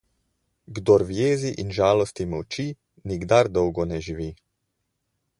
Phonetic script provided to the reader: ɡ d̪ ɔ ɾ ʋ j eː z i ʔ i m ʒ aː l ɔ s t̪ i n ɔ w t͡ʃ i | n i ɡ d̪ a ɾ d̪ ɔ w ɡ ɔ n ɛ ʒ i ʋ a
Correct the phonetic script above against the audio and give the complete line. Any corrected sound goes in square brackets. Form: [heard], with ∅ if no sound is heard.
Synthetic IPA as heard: ɡ d̪ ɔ ɾ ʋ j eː z i ʔ i [n] ʒ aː l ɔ s t̪ i [m] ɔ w t͡ʃ i | n i ɡ d̪ a ɾ d̪ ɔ w ɡ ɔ n ɛ ʒ i ʋ [i]